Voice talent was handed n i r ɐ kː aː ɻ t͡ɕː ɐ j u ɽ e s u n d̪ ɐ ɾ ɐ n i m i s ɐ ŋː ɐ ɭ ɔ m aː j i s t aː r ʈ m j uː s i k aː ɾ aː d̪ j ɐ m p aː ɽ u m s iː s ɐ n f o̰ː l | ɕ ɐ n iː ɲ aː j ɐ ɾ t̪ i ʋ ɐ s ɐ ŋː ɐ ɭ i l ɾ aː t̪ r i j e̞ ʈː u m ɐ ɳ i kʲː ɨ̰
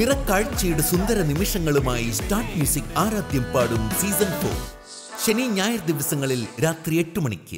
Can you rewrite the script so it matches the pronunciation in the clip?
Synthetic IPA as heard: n i r ɐ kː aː ɻ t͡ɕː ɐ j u ɽ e s u n d̪ ɐ ɾ ɐ n i m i ʂ ɐ ŋː ɐ ɭ u m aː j i s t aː r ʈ m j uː s i k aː ɾ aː d̪ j ɐ m p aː ɽ u m s iː s ɐ n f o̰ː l | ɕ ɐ n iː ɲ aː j ɐ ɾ d̪ i ʋ ɐ s ɐ ŋː ɐ ɭ i l ɾ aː t̪ r i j e̞ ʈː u m ɐ ɳ i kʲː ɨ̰